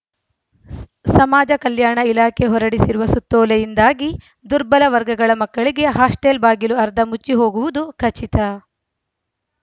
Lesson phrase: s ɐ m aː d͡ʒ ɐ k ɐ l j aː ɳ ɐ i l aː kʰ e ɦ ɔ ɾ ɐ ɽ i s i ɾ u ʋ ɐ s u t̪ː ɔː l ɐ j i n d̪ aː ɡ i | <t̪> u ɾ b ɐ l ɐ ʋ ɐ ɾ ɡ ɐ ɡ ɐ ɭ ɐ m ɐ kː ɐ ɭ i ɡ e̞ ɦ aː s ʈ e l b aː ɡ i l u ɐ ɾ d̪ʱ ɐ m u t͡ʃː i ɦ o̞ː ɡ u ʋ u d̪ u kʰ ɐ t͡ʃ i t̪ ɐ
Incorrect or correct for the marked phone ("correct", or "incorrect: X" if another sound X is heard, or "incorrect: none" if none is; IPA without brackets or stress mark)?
incorrect: d̪